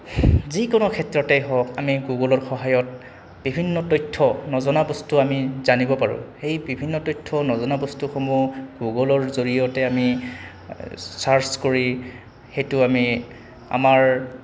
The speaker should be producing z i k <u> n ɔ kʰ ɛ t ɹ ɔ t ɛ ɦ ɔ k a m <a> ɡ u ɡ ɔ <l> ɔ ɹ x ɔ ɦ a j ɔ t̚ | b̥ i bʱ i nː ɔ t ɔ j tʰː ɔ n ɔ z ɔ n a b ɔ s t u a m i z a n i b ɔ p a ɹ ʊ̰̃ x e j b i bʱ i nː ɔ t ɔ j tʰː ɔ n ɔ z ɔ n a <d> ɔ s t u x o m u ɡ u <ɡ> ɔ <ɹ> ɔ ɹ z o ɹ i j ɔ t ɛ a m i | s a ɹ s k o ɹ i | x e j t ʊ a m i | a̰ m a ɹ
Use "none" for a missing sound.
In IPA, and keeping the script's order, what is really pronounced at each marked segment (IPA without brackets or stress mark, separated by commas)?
ɔ, i, l, b, ɡ, l